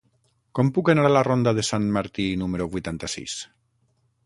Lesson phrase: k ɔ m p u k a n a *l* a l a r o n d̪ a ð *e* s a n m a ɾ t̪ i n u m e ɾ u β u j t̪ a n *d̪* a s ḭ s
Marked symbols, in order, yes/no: no, yes, no

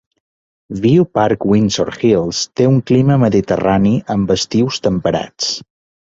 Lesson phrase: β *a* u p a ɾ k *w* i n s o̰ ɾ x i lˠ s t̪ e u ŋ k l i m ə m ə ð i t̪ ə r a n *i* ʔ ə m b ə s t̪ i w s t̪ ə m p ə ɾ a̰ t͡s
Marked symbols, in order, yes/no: no, yes, yes

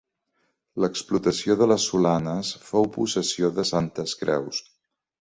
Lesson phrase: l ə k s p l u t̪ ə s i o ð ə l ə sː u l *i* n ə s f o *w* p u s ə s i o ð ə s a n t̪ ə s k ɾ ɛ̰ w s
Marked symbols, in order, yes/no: no, yes

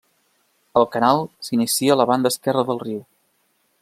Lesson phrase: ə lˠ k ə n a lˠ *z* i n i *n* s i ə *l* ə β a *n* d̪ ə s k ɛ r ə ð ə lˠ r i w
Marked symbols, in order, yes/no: no, no, yes, yes

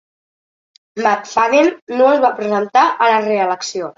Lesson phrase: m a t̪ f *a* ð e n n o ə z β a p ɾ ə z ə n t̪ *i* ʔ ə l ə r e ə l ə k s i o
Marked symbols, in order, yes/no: yes, no

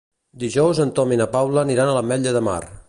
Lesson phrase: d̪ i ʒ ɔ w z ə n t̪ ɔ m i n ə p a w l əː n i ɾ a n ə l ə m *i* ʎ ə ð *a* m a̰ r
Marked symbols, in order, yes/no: no, no

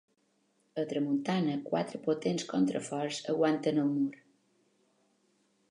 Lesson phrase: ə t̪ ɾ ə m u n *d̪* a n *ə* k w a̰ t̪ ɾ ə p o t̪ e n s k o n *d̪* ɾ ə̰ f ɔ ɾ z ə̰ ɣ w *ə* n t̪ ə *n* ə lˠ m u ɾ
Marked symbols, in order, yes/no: no, yes, no, no, yes

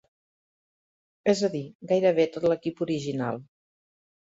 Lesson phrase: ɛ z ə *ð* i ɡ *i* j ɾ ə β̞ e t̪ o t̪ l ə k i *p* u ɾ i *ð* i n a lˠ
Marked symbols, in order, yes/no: yes, no, yes, no

